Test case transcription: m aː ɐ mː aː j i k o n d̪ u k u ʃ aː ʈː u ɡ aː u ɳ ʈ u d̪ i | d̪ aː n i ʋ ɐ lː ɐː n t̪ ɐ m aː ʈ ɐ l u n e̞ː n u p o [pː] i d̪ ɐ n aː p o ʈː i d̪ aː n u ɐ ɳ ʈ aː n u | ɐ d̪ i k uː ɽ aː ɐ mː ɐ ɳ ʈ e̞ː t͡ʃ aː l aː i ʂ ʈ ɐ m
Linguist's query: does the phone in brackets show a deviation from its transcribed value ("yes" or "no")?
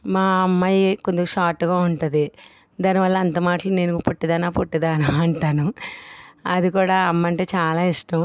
yes